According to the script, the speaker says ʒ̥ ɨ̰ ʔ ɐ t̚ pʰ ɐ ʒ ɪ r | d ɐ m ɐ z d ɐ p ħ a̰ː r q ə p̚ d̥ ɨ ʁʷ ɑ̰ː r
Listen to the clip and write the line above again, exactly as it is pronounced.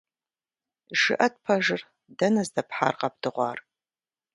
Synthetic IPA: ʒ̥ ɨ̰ ʔ ɐ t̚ pʰ ɐ ʒ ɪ r | d ɐ n ɐ z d ɐ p ħ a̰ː r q ɐ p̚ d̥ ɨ ʁʷ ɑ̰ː r

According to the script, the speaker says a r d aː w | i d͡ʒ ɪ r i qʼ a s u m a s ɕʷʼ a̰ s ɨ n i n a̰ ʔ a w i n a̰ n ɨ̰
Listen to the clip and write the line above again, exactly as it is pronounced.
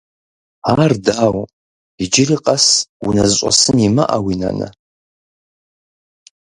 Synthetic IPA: a r d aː w | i d͡ʒ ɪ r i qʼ a s u n a z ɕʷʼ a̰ s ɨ n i m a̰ ʔ a w i n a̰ n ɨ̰

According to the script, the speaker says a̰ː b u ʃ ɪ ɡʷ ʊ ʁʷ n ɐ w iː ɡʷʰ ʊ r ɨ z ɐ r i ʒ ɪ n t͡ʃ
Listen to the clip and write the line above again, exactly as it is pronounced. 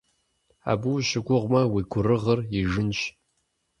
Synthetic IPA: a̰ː b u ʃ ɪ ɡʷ ʊ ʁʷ m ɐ w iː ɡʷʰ ʊ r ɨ ʁ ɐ r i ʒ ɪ n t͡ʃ

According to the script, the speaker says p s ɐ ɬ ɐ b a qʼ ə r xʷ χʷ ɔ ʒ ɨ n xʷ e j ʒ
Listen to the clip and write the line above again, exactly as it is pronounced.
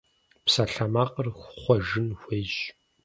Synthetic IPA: p s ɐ ɬ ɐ m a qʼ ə r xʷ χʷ ɔ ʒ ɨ n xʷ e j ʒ

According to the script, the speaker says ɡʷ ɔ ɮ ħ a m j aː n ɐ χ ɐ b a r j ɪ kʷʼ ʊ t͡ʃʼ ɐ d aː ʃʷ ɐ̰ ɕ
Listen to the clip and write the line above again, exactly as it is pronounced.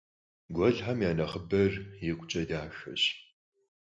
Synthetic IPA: ɡʷ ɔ ɮ ħ a m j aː n ɐ χ ə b ɐ r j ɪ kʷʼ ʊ t͡ʃʼ ɐ d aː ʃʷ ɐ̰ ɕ

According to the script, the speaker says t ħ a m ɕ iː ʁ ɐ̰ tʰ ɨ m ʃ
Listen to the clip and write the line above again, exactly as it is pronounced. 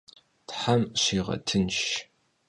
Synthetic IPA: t ħ a m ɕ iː ʁ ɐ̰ tʰ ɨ n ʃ

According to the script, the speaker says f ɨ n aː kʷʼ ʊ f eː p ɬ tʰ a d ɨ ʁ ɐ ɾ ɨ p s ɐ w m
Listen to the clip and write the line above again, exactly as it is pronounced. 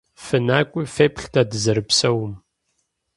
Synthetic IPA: f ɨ n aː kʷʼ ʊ f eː p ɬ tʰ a d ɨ z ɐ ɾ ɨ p s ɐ w m

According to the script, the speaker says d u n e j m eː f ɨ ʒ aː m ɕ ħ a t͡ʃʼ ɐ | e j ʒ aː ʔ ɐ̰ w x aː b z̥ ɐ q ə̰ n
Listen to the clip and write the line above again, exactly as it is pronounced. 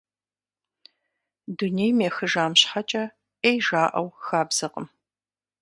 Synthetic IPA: d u n e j m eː x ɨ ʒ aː m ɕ ħ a t͡ʃʼ ɐ | e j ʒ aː ʔ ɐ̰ w x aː b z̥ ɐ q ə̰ m

